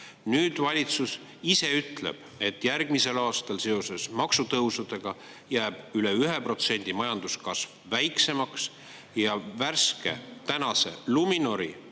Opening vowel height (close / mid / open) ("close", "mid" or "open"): close